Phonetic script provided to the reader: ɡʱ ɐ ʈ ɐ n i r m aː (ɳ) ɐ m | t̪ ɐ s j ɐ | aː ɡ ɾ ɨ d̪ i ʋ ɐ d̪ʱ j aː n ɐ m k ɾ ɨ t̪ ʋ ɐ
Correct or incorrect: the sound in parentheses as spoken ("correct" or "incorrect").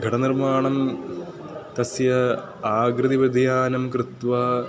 correct